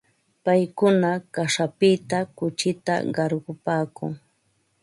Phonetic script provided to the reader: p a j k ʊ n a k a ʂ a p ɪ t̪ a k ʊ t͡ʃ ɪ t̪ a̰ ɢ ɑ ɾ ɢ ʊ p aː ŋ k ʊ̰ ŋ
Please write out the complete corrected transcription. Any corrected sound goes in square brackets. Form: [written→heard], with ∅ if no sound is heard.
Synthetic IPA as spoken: p a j k ʊ n a k a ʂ a p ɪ t̪ a k ʊ t͡ʃ ɪ t̪ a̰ ɢ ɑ ɾ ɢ ʊ p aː [ŋ→∅] k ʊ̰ ŋ